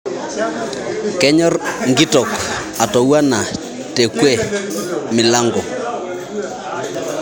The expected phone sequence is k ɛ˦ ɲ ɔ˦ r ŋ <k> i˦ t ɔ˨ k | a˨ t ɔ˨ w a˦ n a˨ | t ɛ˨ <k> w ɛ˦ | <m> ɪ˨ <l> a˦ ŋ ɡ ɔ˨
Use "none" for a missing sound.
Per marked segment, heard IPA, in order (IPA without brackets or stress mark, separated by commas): ɡ, k, m, l